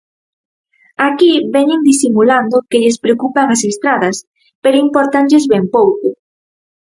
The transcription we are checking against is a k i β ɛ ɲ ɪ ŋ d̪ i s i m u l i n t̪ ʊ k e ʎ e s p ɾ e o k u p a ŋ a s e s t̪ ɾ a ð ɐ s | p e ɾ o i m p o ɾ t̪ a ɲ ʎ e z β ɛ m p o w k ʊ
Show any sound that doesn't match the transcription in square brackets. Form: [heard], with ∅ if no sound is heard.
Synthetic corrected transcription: a k i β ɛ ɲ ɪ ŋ d̪ i s i m u l [a] n [d̪] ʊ k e ʎ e s p ɾ e o k u p a ŋ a s e s t̪ ɾ a ð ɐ s | p e ɾ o i m p o ɾ t̪ a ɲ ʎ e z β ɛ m p o w k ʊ